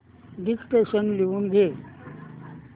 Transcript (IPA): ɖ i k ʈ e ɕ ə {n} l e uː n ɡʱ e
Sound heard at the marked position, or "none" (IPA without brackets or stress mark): n